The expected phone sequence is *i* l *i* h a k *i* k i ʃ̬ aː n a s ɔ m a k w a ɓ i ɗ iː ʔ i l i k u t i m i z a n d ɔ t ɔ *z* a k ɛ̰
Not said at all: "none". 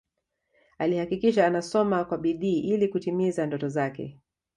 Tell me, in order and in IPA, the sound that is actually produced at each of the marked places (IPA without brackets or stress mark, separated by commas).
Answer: a, i, i, z